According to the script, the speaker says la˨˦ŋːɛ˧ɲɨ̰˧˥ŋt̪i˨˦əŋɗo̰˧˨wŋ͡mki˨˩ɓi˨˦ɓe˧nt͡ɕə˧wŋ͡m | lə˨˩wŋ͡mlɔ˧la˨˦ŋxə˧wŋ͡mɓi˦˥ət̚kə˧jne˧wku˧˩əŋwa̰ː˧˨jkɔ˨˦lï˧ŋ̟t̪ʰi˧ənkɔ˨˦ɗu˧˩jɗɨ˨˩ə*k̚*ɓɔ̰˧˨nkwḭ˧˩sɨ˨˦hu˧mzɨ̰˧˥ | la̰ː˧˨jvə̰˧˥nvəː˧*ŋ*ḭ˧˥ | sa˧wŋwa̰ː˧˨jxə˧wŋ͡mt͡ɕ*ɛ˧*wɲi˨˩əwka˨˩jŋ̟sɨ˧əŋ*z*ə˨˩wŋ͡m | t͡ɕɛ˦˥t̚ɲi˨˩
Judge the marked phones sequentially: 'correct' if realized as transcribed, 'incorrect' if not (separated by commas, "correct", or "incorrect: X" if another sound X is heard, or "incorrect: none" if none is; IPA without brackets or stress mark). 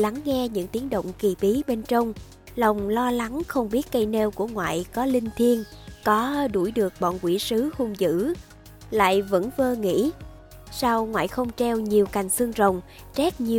correct, correct, correct, correct